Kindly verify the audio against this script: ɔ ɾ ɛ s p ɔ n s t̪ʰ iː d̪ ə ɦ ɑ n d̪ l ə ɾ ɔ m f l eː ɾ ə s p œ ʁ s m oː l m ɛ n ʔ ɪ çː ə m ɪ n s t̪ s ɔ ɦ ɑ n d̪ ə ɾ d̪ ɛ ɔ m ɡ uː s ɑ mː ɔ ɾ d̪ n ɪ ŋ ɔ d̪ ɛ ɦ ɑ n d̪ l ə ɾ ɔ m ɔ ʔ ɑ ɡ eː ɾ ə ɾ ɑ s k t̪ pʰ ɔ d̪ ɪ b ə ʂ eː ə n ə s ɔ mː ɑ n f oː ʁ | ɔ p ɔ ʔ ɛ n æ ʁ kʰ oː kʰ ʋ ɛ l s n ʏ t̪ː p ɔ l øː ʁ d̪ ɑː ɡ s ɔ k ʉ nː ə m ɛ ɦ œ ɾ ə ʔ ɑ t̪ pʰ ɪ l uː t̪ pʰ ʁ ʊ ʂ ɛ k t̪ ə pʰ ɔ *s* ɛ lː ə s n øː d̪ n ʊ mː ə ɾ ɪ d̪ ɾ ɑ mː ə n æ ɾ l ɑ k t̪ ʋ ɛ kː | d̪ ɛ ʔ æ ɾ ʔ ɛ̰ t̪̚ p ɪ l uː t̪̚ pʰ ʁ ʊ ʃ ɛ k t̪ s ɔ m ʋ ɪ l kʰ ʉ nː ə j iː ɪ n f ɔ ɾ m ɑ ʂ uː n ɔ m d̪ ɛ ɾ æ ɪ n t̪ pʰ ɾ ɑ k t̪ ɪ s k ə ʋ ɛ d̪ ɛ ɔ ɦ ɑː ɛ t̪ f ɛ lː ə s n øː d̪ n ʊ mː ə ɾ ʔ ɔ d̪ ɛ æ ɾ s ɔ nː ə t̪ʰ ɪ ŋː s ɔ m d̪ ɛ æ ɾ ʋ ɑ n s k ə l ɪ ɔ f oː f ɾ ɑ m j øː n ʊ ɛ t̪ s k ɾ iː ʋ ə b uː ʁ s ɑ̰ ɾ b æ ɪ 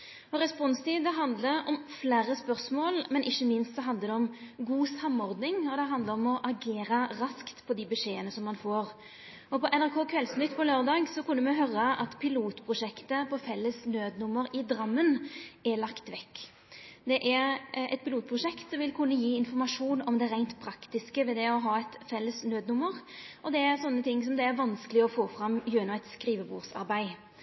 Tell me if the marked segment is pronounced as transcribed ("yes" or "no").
no